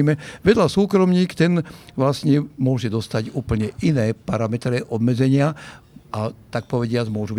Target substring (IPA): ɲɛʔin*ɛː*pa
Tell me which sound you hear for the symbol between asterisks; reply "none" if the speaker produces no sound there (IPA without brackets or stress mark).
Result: ɛː